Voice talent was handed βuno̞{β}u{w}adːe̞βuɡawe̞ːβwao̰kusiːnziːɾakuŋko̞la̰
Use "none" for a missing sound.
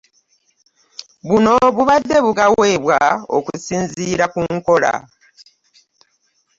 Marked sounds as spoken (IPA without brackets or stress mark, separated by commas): β, β